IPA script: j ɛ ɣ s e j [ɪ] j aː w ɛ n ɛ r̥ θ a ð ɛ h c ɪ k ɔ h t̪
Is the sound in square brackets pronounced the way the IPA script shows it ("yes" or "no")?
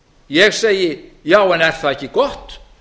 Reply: yes